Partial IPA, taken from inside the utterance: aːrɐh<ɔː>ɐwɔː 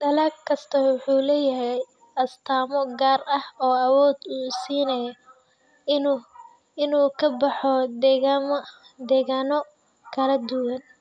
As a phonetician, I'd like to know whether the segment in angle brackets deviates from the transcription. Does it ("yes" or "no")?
no